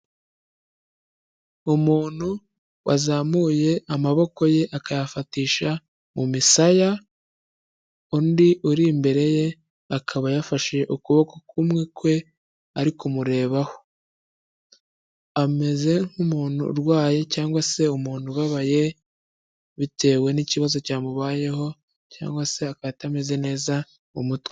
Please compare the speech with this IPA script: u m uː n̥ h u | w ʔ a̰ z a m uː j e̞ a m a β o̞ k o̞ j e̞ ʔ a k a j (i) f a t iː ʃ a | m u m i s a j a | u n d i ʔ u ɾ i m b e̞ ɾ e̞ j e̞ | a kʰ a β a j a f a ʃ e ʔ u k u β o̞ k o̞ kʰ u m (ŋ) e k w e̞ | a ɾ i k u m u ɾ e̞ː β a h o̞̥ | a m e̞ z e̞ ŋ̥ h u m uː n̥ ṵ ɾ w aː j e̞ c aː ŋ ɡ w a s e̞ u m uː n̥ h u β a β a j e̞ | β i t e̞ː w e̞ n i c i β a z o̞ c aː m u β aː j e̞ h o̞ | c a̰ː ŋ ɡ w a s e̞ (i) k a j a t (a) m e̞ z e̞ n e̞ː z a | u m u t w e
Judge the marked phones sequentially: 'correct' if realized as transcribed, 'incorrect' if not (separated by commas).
incorrect, correct, incorrect, correct